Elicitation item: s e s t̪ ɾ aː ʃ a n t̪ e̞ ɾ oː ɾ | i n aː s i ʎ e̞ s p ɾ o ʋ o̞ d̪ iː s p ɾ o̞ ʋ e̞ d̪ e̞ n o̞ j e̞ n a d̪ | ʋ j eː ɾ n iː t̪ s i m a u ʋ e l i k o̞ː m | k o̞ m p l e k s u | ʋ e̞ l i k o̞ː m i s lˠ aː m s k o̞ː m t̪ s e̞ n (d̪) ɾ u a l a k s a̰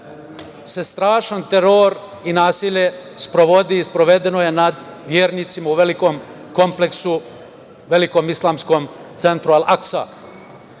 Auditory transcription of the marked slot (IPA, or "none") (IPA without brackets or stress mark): t̪